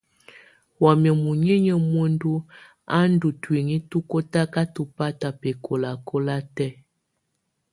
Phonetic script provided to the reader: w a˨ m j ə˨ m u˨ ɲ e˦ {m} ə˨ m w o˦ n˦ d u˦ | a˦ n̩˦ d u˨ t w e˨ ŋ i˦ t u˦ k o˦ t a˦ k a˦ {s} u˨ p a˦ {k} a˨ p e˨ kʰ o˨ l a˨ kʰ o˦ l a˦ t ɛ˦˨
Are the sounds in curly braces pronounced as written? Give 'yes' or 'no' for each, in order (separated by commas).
no, no, no